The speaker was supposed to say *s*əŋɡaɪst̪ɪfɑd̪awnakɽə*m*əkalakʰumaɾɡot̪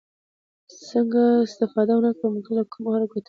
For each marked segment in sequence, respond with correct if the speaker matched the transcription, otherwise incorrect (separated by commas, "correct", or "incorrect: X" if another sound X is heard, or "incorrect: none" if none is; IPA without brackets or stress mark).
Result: correct, correct